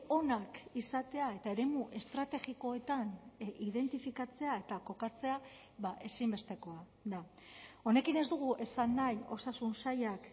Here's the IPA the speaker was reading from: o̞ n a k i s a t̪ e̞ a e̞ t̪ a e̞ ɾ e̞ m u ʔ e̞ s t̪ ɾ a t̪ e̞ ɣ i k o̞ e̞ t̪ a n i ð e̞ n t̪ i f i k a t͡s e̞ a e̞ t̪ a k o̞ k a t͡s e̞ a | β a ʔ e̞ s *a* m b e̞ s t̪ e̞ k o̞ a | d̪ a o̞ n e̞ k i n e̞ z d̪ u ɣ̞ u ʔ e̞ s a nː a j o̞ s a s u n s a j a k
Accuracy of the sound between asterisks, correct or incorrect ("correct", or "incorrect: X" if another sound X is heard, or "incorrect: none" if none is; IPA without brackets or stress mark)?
incorrect: i